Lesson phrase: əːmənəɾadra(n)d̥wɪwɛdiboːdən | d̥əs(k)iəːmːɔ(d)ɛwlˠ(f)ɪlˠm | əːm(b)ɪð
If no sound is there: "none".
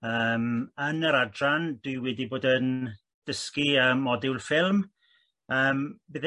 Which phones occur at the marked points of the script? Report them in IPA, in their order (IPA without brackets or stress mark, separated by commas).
n, k, d, f, b